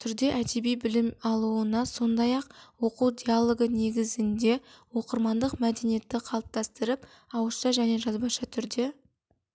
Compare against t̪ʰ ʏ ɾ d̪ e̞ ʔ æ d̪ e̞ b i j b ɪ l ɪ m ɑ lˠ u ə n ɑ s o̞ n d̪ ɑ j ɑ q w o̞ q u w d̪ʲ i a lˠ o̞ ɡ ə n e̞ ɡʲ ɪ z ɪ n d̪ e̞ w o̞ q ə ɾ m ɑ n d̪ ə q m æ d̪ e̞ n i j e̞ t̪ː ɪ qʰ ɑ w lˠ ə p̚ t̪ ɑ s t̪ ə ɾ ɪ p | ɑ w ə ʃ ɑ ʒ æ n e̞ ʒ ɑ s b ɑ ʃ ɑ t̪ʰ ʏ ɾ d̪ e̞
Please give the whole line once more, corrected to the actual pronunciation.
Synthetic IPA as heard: t̪ʰ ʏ ɾ d̪ e̞ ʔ æ d̪ e̞ b i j b ɪ l ɪ m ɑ lˠ u ə n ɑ s o̞ n d̪ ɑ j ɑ q w o̞ q u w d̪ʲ i a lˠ o̞ ɡ ə n e̞ ɡʲ ɪ z ɪ n d̪ e̞ w o̞ q ə ɾ m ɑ n d̪ ə q m æ d̪ e̞ n i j e̞ t̪ː ɪ qʰ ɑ lˠ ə p̚ t̪ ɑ s t̪ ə ɾ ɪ p | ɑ w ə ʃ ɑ ʒ æ n e̞ ʒ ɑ z b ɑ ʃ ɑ t̪ʰ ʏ ɾ d̪ e̞